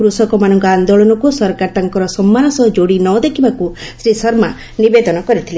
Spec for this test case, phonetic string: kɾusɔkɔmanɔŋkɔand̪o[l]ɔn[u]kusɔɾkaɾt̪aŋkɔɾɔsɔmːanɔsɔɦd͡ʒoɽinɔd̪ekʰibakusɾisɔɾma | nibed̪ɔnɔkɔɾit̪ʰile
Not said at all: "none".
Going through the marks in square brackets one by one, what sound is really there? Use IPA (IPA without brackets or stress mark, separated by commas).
ɭ, ɔ